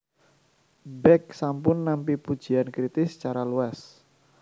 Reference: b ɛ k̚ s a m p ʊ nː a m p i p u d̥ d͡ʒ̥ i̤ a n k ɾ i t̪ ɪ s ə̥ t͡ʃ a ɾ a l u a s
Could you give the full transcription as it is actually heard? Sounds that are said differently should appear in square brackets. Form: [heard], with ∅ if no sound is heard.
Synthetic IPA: b ɛ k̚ s a m p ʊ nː a m p i p u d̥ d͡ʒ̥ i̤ a n k ɾ i t̪ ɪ s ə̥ t͡ʃ a ɾ a l u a s